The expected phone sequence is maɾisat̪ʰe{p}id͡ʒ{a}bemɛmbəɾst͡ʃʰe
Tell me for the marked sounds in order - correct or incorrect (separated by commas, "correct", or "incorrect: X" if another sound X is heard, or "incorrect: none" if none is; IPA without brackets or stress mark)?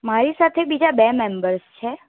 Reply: incorrect: b, correct